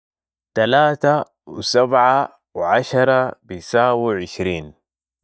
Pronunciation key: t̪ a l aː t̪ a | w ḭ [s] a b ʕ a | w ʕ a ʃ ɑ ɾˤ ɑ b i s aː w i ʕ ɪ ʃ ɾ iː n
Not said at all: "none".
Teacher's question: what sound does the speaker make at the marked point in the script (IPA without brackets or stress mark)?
s